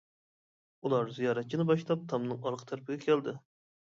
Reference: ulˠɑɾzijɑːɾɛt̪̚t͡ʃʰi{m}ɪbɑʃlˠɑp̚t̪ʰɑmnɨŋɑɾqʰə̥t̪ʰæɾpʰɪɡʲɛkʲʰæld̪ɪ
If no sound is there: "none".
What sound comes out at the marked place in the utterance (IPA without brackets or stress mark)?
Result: n